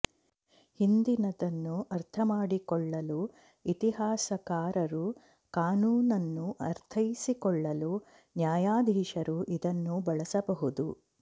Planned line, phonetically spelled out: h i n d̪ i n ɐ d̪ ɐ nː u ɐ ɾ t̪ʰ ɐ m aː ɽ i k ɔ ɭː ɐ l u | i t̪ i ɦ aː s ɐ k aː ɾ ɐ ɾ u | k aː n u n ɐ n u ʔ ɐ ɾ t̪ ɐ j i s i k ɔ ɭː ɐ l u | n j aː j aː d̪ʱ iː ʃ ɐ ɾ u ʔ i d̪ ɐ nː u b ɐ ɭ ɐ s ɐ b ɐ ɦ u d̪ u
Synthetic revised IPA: h i n d̪ i n ɐ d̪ ɐ nː u ɐ ɾ t̪ʰ ɐ m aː ɽ i k ɔ ɭː ɐ l u | i t̪ i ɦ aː s ɐ k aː ɾ ɐ ɾ u | k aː n uː n ɐ nː u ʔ ɐ ɾ t̪ʰ ɐ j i s i k ɔ ɭː ɐ l u | n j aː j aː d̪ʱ iː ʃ ɐ ɾ u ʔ i d̪ ɐ nː u b ɐ ɭ ɐ s ɐ b ɐ ɦ u d̪ u